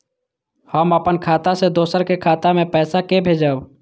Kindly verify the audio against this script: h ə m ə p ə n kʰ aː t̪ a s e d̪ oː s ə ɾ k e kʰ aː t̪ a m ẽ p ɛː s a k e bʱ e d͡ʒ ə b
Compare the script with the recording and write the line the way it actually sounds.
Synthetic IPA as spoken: h ə m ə p ə n kʰ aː t̪ a s e d̪ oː s ə ɾ k e kʰ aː t̪ a m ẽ p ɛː s a k e bʱ e d͡ʒ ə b